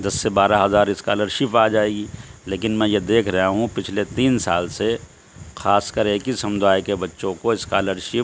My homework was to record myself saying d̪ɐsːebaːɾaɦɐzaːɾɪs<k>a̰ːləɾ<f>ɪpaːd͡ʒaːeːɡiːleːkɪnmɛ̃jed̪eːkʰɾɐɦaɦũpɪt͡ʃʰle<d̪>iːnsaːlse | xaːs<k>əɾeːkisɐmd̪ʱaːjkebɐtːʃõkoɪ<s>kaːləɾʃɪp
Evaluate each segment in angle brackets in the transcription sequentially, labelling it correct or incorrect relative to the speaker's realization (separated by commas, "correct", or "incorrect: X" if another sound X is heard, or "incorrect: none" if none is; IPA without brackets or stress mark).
correct, incorrect: ʃ, incorrect: t̪, correct, correct